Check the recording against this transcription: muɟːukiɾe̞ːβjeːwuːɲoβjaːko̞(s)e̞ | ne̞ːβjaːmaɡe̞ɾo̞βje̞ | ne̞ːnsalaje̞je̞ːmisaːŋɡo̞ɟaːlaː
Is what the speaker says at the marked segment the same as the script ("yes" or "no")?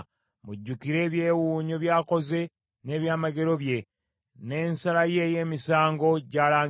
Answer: no